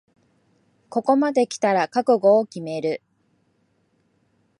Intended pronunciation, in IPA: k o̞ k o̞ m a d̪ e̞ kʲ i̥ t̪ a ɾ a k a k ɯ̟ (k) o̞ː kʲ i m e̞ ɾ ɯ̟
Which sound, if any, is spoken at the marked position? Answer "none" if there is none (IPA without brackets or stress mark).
ɡ